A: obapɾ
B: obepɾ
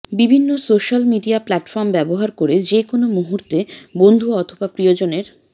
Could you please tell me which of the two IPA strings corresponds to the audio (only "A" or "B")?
A